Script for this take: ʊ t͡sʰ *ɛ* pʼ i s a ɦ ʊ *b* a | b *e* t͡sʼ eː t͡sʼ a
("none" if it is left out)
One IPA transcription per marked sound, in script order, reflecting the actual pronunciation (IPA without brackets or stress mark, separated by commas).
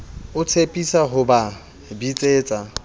e, b, i